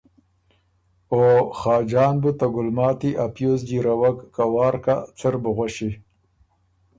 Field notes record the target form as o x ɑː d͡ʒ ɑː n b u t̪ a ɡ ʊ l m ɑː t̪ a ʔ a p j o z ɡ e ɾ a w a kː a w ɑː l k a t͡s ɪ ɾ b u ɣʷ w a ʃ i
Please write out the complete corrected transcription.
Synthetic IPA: o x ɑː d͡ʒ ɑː n b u t̪ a ɡ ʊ l m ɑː t̪ i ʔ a p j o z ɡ i ɾ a w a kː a w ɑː ɾ k a t͡s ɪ ɾ b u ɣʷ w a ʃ i